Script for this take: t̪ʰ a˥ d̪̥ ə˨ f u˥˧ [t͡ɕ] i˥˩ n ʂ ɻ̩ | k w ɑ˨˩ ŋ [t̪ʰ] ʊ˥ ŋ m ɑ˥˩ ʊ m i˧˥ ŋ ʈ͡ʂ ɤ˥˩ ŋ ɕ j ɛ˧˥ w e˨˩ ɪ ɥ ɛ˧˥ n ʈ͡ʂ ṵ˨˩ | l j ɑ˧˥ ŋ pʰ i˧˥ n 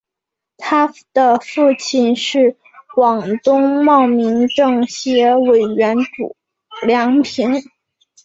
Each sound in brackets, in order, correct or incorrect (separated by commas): incorrect, incorrect